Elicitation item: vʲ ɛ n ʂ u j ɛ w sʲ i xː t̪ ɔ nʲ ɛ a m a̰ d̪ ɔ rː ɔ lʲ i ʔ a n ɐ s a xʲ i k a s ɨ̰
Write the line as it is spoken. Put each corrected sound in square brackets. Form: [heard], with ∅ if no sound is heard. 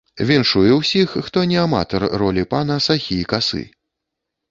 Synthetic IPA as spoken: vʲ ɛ n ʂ u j ɛ w sʲ i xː t̪ ɔ nʲ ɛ a m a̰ [t̪] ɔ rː ɔ lʲ i [p] a n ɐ s a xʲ i k a s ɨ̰